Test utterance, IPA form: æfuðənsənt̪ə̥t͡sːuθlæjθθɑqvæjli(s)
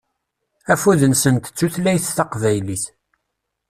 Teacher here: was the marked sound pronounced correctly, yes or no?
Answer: no